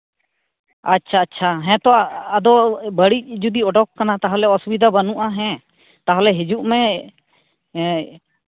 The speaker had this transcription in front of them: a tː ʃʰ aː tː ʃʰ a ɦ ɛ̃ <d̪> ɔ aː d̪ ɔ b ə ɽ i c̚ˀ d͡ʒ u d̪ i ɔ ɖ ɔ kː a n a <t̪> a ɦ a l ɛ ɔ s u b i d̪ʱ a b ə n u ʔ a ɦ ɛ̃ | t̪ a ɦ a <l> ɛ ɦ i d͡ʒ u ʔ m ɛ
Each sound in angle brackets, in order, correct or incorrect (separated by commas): incorrect, correct, correct